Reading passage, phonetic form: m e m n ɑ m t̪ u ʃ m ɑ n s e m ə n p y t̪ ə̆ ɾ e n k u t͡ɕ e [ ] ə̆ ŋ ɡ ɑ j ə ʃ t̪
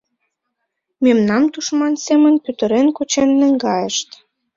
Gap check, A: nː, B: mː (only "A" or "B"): A